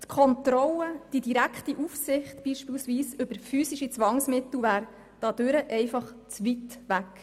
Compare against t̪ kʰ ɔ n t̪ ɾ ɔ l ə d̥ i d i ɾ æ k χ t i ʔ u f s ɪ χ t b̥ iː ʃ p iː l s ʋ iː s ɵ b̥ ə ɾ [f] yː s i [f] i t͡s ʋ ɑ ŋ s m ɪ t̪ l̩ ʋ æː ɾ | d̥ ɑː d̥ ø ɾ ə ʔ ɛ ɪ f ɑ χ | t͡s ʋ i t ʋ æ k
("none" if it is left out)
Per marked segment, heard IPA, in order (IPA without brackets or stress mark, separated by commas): f, ʃ